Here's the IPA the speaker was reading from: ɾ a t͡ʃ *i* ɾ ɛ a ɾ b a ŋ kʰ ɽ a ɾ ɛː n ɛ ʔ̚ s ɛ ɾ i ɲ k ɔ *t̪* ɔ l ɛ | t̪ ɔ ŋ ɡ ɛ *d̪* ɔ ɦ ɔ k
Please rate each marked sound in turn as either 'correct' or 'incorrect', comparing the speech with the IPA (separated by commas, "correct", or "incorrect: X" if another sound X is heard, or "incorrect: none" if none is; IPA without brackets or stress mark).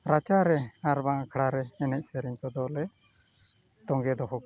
incorrect: a, incorrect: d̪, correct